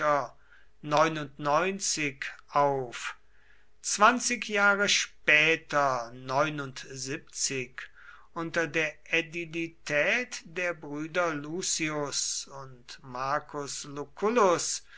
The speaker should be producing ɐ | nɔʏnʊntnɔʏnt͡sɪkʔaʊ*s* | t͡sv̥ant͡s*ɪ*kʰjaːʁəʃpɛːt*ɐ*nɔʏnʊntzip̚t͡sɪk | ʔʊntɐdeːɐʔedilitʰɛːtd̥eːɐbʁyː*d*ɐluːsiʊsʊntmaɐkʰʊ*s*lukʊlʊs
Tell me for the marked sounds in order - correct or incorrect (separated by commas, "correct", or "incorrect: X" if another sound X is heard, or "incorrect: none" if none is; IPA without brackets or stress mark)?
incorrect: f, correct, correct, correct, correct